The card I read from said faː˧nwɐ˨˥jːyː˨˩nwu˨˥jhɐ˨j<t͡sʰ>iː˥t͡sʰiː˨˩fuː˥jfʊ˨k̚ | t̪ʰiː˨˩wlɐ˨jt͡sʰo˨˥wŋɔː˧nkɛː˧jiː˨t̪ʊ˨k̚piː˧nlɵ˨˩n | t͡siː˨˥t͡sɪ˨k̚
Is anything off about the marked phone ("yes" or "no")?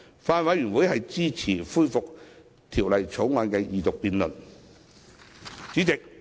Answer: yes